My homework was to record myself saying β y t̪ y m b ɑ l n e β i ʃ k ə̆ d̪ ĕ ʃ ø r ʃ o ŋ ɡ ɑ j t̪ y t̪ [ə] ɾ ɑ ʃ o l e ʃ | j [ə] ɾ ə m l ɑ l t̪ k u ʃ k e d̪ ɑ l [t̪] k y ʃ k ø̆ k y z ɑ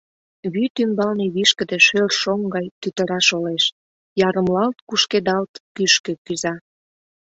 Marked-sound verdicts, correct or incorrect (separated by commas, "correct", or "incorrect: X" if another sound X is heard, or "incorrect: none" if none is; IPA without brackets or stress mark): correct, incorrect: ɑ, correct